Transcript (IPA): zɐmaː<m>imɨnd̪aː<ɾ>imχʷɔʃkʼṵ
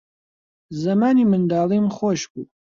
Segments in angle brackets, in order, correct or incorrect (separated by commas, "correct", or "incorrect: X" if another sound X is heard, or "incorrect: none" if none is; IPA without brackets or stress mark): incorrect: n, incorrect: l